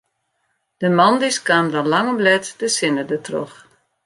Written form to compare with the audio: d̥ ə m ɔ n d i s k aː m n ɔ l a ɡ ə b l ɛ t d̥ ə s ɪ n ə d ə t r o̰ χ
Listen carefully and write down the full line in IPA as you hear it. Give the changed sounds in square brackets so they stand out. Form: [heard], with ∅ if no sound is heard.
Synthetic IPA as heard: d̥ ə m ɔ n d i s k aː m [d] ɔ l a [ŋ] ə b l ɛ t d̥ ə s ɪ n ə d ə t r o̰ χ